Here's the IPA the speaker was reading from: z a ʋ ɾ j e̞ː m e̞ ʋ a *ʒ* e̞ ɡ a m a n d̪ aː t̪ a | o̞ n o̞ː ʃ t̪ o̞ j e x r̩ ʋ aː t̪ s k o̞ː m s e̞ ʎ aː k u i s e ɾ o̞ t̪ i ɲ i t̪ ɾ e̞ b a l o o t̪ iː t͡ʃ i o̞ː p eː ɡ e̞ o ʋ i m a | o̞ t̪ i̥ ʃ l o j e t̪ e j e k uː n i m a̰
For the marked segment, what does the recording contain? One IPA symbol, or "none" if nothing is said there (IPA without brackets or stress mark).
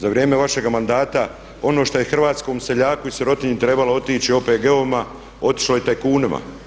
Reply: ʃ